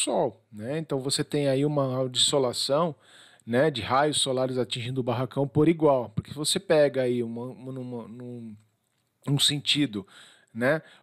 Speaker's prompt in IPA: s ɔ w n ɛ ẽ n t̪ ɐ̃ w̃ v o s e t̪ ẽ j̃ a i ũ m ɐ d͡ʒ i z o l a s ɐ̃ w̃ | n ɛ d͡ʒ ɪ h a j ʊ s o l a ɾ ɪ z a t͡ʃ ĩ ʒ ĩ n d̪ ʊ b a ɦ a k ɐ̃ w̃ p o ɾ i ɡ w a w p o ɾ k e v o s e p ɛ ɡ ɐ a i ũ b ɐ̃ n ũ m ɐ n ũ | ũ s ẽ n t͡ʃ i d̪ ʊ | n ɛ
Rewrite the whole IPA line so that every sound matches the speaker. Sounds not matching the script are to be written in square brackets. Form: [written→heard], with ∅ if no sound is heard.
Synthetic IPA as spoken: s ɔ w n ɛ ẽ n t̪ ɐ̃ w̃ v o s e t̪ ẽ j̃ a i ũ m ɐ d͡ʒ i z o l a s ɐ̃ w̃ | n ɛ d͡ʒ ɪ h a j ʊ s o l a ɾ ɪ z a t͡ʃ ĩ ʒ ĩ n d̪ ʊ b a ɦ a k ɐ̃ w̃ p o ɾ i ɡ w a w p o ɾ k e v o s e p ɛ ɡ ɐ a i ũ [b→m] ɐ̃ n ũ m ɐ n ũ | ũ s ẽ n t͡ʃ i d̪ ʊ | n ɛ

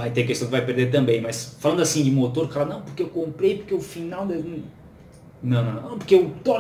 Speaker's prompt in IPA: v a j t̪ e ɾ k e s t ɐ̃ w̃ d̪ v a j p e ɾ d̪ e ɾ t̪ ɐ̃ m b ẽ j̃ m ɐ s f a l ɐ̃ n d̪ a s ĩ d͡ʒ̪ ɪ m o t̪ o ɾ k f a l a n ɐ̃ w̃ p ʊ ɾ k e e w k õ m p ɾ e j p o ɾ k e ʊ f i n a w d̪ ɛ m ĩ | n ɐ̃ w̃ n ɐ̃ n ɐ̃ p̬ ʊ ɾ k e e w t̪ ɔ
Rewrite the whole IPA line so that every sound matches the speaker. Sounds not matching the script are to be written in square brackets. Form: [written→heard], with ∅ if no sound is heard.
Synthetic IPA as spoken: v a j t̪ e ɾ k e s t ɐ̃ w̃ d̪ v a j p e ɾ d̪ e ɾ t̪ ɐ̃ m b ẽ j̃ m ɐ s f a l ɐ̃ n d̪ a s ĩ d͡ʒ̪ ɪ m o t̪ o ɾ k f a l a n ɐ̃ w̃ p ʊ ɾ k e e w k õ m p ɾ e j p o ɾ k e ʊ f i n a w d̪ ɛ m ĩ | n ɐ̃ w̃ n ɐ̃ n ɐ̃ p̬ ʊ ɾ k e e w t̪ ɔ

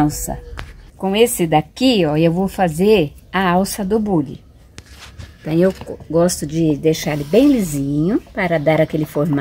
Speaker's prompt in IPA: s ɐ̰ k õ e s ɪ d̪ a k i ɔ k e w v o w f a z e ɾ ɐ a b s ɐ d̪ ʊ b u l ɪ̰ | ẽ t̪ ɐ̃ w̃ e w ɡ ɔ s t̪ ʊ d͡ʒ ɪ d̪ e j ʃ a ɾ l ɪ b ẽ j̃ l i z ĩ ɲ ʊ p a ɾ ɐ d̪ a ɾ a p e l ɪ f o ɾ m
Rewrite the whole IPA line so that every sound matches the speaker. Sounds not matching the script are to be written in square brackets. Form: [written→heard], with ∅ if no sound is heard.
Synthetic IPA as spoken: s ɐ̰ k õ e s ɪ d̪ a k i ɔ [k→∅] e w v o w f a z e ɾ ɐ a [b→w] s ɐ d̪ ʊ b u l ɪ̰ | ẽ t̪ ɐ̃ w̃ e w ɡ ɔ s t̪ ʊ d͡ʒ ɪ d̪ e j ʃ a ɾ l ɪ b ẽ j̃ l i z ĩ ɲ ʊ p a ɾ ɐ d̪ a ɾ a [p→k] e l ɪ f o ɾ m

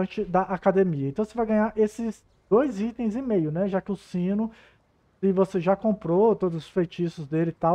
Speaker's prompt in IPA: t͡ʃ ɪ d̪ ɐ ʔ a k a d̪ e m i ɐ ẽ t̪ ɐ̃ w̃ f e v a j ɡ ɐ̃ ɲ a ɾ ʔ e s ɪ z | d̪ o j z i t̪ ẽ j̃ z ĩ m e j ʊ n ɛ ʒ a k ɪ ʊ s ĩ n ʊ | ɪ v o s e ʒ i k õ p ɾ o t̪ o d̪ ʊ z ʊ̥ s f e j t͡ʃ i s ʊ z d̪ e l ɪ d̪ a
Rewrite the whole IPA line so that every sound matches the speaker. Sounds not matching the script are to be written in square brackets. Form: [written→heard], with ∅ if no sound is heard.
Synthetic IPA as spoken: t͡ʃ ɪ d̪ ɐ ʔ a k a d̪ e m i ɐ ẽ t̪ ɐ̃ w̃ [f→s] e v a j ɡ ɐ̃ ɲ a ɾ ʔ e s ɪ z | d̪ o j z i t̪ ẽ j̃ z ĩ m e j ʊ n ɛ ʒ a k ɪ ʊ s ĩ n ʊ | ɪ v o s e ʒ [i→a] k õ p ɾ o t̪ o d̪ ʊ z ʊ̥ s f e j t͡ʃ i s ʊ z d̪ e l ɪ [d̪→t̪] a

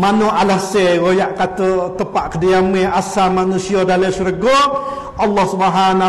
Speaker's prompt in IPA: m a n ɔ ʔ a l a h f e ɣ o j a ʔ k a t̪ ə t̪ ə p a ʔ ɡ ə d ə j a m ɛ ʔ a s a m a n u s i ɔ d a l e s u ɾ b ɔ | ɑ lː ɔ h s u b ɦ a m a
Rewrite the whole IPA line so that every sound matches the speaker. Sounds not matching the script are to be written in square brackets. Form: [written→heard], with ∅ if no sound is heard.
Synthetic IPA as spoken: m a n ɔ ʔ a l a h [f→s] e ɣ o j a ʔ k a t̪ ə t̪ ə p a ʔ [ɡ→k] ə d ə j a m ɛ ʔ a s a m a n u s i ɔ d a l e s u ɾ [b→ɡ] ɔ | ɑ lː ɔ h s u b ɦ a [m→n] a

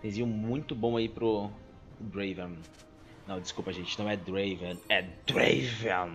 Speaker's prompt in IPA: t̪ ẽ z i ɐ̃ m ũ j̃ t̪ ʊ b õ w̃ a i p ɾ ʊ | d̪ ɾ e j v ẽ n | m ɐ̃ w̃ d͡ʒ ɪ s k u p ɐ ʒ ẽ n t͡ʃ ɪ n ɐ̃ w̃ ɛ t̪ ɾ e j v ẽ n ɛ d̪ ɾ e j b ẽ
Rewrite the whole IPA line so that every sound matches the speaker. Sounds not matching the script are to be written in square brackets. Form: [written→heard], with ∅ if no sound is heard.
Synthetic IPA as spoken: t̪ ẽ z i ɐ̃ m ũ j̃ t̪ ʊ b õ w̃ a i p ɾ ʊ | d̪ ɾ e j v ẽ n | [m→n] ɐ̃ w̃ d͡ʒ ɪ s k u p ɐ ʒ ẽ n t͡ʃ ɪ n ɐ̃ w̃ ɛ [t̪→d̪] ɾ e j v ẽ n ɛ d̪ ɾ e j [b→v] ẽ

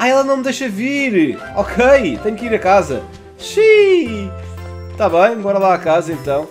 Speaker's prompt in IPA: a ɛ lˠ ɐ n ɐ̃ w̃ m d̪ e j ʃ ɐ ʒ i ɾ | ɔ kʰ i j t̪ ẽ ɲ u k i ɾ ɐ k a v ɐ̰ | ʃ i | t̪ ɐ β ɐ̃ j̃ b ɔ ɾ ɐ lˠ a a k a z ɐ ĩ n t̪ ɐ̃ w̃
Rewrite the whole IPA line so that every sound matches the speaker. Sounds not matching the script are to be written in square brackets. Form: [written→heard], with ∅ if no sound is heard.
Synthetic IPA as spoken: a ɛ lˠ ɐ n ɐ̃ w̃ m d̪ e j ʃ ɐ [ʒ→v] i ɾ | ɔ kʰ [i→e] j t̪ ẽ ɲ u k i ɾ ɐ k a [v→z] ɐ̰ | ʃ i | t̪ [ɐ→a] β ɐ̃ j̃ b ɔ ɾ ɐ lˠ a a k a z ɐ [ĩ→ẽ] n t̪ ɐ̃ w̃

